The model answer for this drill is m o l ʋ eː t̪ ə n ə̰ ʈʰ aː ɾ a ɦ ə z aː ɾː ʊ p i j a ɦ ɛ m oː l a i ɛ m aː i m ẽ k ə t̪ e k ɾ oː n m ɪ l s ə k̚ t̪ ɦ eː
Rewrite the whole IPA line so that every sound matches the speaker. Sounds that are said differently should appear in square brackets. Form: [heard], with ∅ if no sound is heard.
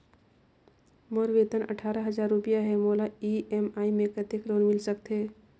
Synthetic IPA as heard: m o [ɾ] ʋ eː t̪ ə n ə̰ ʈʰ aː ɾ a ɦ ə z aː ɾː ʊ p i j a ɦ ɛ m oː l a i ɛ m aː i m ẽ k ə t̪ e k ɾ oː n m ɪ l s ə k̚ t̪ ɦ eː